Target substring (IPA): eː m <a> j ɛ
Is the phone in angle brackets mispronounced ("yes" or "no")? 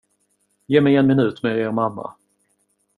yes